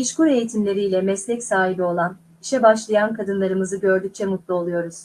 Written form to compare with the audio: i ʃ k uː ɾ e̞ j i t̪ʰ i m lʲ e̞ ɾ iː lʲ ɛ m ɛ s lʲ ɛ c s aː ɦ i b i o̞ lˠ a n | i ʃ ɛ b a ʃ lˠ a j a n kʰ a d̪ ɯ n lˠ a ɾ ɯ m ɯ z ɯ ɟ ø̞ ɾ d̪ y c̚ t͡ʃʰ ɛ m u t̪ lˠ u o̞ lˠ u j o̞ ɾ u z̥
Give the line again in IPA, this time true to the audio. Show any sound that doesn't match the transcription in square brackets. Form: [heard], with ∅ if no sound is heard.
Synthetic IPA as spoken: i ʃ k [u] ɾ e̞ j i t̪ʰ i m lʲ e̞ ɾ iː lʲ ɛ m ɛ s lʲ ɛ c s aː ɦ i b i o̞ lˠ a n | i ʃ ɛ b a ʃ lˠ a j a n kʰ a d̪ ɯ n lˠ a ɾ ɯ m ɯ z ɯ ɟ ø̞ ɾ d̪ y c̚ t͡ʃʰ ɛ m u t̪ lˠ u o̞ lˠ u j o̞ ɾ u z̥